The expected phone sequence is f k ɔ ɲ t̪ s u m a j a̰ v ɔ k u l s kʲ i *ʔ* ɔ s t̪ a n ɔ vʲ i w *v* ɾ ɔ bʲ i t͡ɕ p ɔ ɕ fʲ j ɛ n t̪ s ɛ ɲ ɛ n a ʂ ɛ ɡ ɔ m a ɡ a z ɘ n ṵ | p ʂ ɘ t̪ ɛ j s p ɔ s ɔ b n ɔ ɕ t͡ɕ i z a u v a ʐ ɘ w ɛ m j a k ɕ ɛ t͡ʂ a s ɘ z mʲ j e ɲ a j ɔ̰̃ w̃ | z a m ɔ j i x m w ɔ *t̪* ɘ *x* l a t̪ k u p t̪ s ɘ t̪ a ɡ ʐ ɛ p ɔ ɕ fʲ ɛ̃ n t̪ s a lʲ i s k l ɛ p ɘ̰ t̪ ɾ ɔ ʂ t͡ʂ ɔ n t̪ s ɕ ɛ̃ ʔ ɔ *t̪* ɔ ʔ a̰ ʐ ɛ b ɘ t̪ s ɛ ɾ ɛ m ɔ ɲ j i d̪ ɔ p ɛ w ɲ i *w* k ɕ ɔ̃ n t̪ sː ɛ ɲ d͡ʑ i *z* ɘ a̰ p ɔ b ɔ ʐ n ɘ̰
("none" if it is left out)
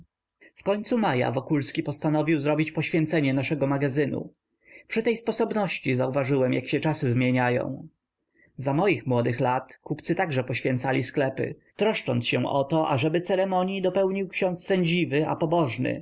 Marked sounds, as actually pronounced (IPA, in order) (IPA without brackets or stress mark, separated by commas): p, z, d̪, x, t̪, w, v